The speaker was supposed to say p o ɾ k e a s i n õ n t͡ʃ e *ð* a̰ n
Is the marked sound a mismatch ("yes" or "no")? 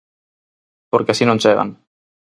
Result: yes